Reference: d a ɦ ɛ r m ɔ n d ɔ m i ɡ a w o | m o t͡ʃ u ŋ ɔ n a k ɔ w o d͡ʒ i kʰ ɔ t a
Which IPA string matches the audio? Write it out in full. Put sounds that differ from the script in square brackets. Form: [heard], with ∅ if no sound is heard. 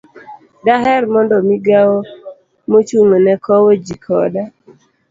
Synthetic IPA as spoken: d a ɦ ɛ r m ɔ n d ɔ m i ɡ a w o | m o t͡ʃ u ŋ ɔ n [ɛ] k ɔ w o d͡ʒ i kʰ ɔ [d] a